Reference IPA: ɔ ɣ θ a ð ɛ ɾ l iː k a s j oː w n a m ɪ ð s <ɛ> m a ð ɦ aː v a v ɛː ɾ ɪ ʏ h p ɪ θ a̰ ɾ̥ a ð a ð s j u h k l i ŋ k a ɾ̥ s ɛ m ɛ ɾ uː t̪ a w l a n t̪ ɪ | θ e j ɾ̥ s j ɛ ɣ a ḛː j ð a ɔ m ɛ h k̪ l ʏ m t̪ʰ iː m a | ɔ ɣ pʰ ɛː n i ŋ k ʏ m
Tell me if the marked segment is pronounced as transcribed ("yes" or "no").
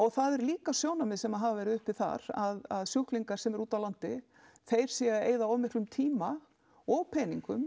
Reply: yes